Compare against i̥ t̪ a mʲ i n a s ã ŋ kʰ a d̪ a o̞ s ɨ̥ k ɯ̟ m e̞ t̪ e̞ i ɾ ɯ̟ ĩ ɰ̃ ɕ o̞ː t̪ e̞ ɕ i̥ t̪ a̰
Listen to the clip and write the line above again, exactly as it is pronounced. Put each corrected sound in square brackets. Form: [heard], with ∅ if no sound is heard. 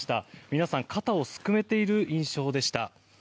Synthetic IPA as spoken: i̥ t̪ a mʲ i n a s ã ŋ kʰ a [t̪] a o̞ s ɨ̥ k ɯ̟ m e̞ t̪ e̞ i ɾ ɯ̟ ĩ ɰ̃ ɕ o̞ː [d̪] e̞ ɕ i̥ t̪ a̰